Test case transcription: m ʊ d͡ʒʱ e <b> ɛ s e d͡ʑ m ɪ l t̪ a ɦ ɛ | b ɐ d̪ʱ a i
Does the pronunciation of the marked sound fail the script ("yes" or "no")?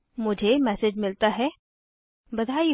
yes